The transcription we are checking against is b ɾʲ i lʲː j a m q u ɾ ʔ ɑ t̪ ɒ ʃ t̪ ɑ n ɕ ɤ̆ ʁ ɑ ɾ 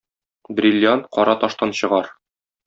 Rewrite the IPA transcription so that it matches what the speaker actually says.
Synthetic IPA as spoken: b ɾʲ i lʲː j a n q ɒ ɾ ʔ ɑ t̪ ɒ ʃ t̪ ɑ n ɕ ɤ̆ ʁ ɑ ɾ